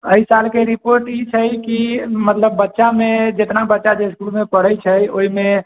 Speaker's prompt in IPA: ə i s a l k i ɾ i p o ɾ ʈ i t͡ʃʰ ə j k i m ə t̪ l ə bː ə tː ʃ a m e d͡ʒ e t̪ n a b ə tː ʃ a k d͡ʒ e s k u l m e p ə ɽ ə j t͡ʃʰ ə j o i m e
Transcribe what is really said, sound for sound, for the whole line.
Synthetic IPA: ə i s a l k e ɾ i p o ɾ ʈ i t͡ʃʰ ə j k i m ə t̪ l ə bː ə tː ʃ a m e d͡ʒ e t̪ n a b ə tː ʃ a d͡ʒ e s k u l m e p ə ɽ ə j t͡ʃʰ ə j o i m e